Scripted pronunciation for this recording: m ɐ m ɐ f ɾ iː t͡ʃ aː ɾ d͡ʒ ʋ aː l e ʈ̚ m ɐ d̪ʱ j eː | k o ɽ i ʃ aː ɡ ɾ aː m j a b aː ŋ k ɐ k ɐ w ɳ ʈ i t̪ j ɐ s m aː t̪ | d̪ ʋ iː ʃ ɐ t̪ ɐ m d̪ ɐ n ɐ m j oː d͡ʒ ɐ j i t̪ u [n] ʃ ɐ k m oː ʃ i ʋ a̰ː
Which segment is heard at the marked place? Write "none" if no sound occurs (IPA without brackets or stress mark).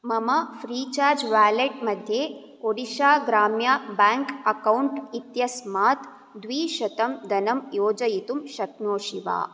m